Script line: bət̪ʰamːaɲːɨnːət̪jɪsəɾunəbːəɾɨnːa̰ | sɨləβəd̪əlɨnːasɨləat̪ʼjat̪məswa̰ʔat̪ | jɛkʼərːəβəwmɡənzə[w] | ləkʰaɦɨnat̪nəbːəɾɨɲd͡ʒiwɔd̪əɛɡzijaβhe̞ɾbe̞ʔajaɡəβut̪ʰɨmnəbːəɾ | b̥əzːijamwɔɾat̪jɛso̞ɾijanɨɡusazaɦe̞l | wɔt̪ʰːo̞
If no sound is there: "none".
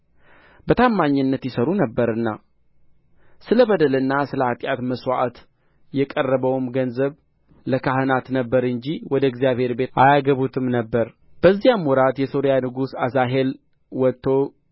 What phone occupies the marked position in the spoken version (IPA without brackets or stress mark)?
β